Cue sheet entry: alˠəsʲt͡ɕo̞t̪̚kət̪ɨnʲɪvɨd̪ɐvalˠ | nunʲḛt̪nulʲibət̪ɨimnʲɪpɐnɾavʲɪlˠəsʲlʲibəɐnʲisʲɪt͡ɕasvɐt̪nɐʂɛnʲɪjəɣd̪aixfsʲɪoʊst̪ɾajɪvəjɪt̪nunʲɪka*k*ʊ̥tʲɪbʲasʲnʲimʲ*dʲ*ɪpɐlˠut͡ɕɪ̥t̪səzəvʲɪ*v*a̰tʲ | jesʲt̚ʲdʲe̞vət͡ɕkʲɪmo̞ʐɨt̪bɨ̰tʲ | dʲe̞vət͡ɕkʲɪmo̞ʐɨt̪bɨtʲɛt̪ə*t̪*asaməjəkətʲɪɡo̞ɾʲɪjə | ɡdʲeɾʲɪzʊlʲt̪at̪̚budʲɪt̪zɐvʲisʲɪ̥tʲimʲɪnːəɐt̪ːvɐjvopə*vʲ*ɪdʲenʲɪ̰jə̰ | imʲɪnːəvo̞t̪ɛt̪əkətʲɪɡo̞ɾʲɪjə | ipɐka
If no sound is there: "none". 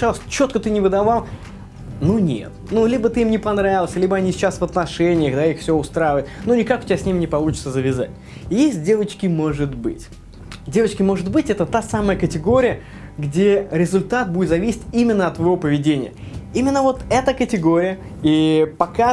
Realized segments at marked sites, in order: k, nʲ, z, t̪, vʲ

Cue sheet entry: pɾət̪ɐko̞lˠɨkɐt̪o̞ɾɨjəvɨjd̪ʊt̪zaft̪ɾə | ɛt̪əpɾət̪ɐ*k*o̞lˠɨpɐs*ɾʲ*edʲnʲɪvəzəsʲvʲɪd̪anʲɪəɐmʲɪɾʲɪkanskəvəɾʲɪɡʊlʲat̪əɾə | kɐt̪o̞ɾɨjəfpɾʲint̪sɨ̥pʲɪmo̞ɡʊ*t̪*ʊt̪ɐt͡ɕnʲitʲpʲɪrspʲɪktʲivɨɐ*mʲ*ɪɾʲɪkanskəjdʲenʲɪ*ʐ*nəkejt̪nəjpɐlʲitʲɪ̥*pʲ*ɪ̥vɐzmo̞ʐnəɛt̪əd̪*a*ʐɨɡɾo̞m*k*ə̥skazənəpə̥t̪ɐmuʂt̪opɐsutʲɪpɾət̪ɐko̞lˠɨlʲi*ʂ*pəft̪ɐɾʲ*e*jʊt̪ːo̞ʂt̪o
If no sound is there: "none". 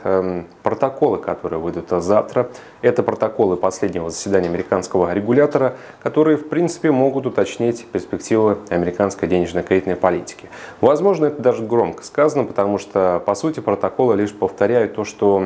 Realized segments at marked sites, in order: k, lʲ, t̪, mʲ, ʐ, kʲ, a, k, ʂ, æ

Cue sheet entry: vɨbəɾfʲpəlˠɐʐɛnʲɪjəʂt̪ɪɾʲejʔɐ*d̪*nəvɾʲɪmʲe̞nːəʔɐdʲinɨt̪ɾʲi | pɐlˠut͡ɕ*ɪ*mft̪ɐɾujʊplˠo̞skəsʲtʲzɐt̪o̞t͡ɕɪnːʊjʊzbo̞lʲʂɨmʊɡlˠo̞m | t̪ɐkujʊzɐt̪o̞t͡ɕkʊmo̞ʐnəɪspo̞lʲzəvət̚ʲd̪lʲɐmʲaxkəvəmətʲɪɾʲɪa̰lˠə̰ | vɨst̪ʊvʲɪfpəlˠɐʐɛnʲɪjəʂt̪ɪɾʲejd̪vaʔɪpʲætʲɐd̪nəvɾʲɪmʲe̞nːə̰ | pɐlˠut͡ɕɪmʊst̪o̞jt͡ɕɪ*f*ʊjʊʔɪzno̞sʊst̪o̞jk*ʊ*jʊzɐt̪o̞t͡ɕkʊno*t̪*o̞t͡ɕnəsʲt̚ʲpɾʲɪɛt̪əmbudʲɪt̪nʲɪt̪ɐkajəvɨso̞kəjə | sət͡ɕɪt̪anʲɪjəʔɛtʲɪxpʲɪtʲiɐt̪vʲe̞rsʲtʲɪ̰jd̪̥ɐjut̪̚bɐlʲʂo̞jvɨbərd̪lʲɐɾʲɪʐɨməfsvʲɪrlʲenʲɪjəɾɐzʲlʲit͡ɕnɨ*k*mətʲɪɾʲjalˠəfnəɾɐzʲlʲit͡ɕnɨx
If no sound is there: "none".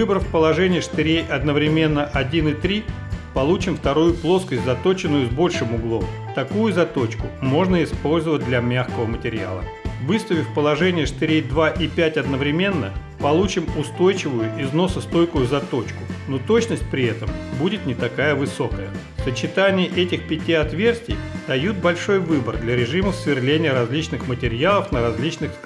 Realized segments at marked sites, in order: d̪, ɪ, v, ʊ, t̪, x

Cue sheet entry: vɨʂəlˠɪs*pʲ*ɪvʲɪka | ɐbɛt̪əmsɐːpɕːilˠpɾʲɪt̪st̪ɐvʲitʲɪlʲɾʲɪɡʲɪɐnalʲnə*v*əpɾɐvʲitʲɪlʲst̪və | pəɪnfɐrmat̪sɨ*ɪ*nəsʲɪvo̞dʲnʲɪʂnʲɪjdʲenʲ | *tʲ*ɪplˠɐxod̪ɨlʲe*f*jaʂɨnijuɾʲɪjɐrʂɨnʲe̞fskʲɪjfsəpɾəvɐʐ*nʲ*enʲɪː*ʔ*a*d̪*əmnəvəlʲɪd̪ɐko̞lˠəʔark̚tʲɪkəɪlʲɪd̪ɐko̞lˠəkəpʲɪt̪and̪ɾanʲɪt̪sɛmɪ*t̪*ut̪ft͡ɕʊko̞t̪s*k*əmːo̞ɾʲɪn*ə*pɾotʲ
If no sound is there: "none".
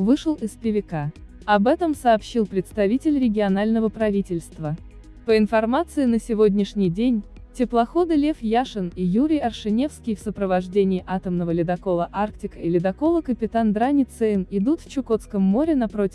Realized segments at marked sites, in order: pʲ, v, ɪ, tʲ, f, dʲ, ʔ, t̪, d̪, k, ɐ

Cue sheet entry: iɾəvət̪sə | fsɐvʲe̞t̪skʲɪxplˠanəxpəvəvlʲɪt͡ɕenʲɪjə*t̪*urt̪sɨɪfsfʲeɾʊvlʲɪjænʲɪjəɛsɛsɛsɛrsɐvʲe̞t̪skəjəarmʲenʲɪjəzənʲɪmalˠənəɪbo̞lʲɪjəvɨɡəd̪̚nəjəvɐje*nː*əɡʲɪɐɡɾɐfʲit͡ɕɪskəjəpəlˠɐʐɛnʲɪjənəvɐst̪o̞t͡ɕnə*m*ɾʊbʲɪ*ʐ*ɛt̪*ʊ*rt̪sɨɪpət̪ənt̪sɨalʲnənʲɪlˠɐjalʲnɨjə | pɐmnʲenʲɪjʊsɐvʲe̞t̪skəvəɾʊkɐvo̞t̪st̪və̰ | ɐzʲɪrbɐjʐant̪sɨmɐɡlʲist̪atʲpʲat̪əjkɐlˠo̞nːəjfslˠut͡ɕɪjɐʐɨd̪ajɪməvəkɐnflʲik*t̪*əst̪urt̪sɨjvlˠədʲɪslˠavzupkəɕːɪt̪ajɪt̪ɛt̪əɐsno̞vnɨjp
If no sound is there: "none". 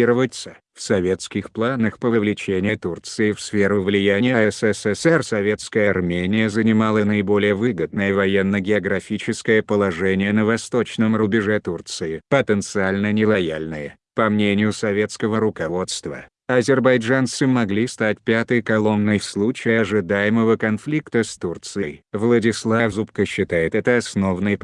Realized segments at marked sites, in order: t̪, nː, m, ʐ, u, t̪

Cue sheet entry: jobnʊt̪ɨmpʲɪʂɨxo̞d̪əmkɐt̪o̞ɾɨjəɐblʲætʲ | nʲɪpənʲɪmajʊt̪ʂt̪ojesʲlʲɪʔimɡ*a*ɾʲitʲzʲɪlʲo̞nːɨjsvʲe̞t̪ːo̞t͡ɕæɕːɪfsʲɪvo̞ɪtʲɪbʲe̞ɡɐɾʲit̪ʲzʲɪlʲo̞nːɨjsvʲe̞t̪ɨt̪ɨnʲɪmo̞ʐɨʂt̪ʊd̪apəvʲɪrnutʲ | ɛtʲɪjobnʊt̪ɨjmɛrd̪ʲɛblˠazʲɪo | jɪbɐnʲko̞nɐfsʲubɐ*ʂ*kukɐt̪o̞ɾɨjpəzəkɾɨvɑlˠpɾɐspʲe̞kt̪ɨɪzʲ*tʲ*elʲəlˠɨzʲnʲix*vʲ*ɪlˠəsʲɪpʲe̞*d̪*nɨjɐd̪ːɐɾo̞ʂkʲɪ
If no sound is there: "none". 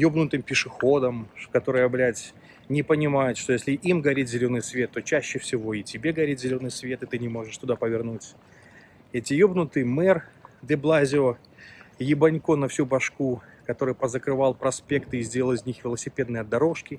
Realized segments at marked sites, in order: ɐ, ʂ, dʲ, vʲ, d̪

